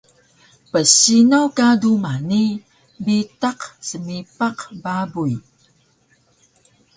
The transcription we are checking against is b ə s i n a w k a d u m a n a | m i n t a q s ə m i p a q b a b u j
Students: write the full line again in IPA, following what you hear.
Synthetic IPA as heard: p ə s i n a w k a d u m a n i | b i t a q s ə m i p a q b a b u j